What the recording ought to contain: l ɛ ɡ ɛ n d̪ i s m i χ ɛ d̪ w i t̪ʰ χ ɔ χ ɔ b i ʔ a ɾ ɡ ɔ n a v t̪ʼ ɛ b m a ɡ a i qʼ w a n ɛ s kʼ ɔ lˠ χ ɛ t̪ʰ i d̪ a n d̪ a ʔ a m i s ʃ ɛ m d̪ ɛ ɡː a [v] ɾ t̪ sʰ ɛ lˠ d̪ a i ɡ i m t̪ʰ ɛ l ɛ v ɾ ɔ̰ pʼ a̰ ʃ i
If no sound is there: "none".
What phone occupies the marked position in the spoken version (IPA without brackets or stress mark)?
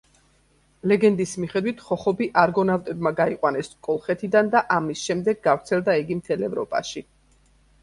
v